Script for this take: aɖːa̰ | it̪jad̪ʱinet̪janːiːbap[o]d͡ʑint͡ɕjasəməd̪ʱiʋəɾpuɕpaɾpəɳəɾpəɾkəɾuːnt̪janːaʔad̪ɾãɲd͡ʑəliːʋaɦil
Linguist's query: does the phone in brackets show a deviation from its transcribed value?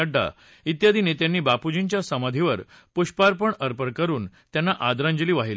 yes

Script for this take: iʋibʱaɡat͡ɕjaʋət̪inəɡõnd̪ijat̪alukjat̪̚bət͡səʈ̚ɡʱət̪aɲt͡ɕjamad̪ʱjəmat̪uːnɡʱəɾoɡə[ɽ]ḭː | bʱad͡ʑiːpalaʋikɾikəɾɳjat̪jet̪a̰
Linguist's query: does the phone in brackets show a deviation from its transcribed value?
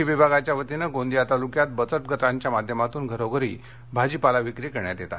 yes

